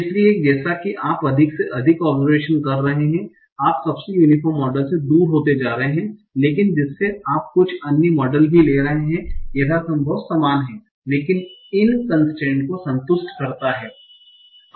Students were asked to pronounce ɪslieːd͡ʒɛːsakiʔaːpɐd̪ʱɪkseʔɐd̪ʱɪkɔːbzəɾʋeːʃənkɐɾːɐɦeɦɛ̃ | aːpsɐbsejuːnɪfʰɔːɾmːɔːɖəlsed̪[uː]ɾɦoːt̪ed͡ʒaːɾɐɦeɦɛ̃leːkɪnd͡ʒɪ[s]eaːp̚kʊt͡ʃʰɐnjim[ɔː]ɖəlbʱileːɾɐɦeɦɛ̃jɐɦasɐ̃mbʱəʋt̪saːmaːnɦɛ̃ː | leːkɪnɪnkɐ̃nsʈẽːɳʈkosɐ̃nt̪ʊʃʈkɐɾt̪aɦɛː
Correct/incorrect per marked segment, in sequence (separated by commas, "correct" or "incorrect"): correct, incorrect, correct